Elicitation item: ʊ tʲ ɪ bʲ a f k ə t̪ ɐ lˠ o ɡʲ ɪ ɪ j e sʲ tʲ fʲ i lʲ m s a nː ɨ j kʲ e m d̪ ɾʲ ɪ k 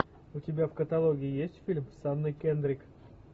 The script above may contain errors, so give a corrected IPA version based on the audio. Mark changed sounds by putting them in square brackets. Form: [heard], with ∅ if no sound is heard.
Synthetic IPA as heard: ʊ tʲ ɪ bʲ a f k ə t̪ ɐ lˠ o ɡʲ ɪ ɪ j e sʲ tʲ fʲ i lʲ m s a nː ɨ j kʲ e [n] d̪ ɾʲ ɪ k